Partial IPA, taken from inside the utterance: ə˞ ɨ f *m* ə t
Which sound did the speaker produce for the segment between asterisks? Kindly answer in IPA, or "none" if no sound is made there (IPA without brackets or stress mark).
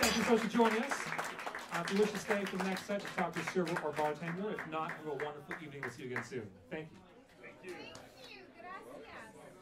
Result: n